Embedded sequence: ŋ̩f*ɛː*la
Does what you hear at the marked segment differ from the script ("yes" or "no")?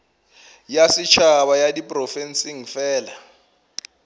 no